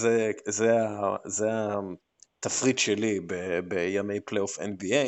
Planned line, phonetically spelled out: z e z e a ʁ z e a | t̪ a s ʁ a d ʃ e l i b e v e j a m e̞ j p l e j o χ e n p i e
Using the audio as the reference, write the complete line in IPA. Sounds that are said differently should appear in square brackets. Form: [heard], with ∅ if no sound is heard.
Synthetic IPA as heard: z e z e a [∅] z e a | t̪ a [f] ʁ [i] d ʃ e l i b e [b] e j a m e̞ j p l e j o [f] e n [b] i e